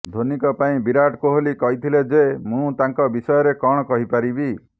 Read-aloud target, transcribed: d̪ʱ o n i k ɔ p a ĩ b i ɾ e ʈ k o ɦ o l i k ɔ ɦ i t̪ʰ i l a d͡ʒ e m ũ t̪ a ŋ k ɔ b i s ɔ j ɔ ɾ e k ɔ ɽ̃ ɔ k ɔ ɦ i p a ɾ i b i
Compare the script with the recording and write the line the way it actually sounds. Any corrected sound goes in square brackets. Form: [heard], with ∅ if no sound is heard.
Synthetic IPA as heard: d̪ʱ o n i k ɔ p a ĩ b i ɾ [a] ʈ k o ɦ o l i k ɔ ɦ i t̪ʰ i l [e] d͡ʒ e m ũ t̪ a ŋ k ɔ b i s ɔ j ɔ ɾ e k ɔ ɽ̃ ɔ k ɔ ɦ i p a ɾ i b i